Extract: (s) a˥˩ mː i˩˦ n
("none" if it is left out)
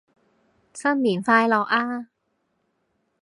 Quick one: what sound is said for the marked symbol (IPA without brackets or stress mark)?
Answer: s